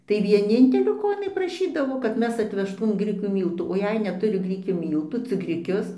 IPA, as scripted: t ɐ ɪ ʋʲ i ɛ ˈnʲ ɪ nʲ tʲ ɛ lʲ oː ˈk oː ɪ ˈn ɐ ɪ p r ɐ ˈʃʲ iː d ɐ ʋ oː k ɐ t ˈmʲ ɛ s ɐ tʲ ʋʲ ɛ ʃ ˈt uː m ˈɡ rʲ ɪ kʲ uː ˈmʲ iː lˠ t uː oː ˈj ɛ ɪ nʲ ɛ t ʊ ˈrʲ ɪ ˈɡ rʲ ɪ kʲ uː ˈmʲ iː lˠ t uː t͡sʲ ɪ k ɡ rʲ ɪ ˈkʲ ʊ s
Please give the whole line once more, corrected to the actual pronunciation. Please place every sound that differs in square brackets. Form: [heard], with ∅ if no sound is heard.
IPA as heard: t ɐ ɪ ʋʲ i ɛ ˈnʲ ɪ nʲ tʲ ɛ lʲ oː ˈk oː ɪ ˈn ɐ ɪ p r ɐ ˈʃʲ iː d ɐ ʋ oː k ɐ t ˈmʲ ɛ s ɐ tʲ ʋʲ ɛ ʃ ˈt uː m ˈɡ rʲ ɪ kʲ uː ˈmʲ iː lˠ t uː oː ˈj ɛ ɪ nʲ ɛ t ʊ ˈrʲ ɪ ˈɡ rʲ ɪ kʲ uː ˈmʲ iː lˠ t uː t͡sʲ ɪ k ɡ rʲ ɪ ˈkʲ ʊ s

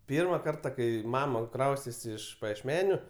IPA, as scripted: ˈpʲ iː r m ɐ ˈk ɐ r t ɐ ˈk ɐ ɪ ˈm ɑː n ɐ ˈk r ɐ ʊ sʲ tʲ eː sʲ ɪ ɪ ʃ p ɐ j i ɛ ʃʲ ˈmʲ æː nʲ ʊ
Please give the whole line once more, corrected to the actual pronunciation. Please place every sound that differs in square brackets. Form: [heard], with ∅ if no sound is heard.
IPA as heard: ˈpʲ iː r m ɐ ˈk ɐ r t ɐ ˈk ɐ ɪ ˈm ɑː [m] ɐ ˈk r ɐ ʊ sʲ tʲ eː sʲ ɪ ɪ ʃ p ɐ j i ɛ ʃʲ ˈmʲ æː nʲ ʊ

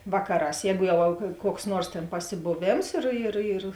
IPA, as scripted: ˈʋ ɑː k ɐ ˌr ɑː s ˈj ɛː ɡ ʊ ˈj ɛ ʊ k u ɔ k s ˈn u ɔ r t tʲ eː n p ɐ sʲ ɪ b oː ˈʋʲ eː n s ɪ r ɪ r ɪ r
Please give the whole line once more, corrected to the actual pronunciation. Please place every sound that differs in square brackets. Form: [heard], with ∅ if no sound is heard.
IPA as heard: ˈʋ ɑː k ɐ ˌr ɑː s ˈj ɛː ɡ ʊ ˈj ɛ ʊ k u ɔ k s ˈn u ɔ r [s] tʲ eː n p ɐ sʲ ɪ b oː ˈʋʲ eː [m] s ɪ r ɪ r ɪ r

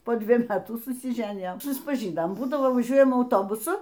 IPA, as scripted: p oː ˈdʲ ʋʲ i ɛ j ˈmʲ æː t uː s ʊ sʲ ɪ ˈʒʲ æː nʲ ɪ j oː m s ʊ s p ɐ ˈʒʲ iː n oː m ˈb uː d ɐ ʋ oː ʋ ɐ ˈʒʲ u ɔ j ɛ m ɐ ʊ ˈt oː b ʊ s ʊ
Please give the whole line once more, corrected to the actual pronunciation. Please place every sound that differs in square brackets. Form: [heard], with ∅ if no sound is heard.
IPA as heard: p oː ˈdʲ ʋʲ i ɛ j ˈmʲ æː t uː s ʊ sʲ ɪ ˈʒʲ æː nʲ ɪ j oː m s ʊ s p ɐ ˈʒʲ iː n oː m ˈb uː d ɐ ʋ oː ʋ ɐ ˈʒʲ u ɔ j ɛ m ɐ ʊ ˈt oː b ʊ s ʊ

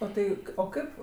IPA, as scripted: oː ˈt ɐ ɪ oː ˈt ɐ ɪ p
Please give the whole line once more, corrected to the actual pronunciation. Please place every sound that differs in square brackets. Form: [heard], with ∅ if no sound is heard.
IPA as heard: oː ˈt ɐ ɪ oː [ˈk] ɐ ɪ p

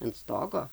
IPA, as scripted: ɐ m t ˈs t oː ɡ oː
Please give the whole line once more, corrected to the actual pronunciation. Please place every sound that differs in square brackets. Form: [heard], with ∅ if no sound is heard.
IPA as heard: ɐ [n] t ˈs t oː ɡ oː

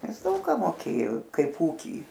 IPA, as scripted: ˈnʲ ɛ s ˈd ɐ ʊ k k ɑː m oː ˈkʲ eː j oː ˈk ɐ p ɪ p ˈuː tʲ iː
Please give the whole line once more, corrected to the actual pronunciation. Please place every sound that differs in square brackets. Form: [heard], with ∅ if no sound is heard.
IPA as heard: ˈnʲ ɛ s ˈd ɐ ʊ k k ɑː m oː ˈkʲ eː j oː ˈk ɐ [∅] ɪ p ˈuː [kʲ] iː

